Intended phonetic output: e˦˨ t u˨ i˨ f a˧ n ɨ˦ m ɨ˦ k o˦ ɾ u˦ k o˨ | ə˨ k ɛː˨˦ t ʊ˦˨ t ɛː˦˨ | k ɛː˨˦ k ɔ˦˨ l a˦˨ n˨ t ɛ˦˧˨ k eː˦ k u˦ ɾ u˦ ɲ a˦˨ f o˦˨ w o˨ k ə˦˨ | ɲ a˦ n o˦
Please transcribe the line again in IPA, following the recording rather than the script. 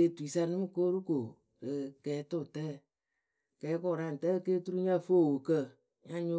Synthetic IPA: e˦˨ t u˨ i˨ s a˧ n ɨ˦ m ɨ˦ k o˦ ɾ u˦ k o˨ | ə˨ k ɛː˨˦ t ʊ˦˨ t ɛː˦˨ | k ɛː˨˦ k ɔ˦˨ ɾ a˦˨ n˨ t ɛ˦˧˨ k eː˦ t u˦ ɾ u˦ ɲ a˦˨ f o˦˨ w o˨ k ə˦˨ | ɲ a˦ ɲ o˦